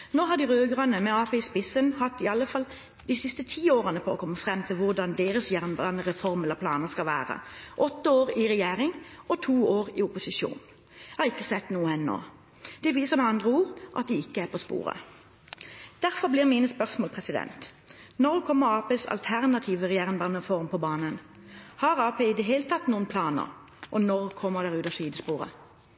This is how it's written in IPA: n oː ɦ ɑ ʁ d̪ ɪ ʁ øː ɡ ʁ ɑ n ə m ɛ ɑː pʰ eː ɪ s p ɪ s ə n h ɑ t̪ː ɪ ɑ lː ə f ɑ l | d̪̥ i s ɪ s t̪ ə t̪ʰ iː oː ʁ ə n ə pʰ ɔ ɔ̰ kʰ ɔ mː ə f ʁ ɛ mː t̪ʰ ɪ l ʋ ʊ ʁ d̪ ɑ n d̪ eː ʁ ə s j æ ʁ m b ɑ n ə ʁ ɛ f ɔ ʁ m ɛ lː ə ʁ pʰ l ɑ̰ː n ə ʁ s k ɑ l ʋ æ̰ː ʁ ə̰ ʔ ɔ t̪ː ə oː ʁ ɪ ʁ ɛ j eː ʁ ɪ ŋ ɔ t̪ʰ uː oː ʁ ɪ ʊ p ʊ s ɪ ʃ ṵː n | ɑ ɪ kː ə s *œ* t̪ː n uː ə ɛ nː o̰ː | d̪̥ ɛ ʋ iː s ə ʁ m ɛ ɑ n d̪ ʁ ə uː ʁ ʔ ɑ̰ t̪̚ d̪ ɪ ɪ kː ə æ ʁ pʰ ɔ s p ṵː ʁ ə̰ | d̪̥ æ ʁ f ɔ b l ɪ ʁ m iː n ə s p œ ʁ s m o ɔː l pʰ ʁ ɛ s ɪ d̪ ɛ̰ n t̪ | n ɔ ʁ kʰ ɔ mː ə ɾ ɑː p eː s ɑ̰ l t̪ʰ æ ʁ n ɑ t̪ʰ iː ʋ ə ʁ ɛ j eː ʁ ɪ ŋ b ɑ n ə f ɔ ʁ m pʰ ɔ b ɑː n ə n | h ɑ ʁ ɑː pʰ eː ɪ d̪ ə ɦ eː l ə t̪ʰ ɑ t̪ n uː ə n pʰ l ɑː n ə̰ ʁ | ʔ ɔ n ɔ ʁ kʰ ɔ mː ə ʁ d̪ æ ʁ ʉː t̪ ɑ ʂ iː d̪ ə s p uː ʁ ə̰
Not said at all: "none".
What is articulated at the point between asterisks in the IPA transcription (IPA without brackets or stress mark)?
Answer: ɛ